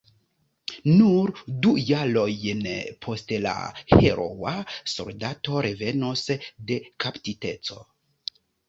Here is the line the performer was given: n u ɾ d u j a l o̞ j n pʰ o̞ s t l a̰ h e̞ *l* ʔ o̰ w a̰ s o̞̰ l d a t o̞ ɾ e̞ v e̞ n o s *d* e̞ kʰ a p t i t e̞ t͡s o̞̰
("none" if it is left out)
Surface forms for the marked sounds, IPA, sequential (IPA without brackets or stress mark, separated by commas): ɾ, d